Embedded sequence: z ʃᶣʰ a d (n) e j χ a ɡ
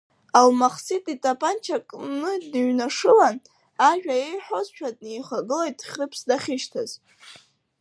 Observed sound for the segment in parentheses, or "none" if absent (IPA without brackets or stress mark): n